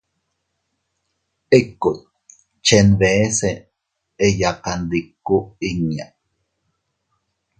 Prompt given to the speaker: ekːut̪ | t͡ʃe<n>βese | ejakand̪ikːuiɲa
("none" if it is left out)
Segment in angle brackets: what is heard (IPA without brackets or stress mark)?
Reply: n